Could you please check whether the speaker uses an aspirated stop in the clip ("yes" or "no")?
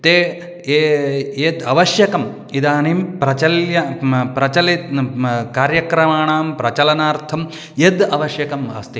yes